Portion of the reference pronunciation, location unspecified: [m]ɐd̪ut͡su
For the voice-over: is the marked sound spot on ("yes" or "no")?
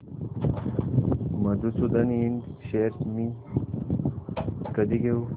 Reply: yes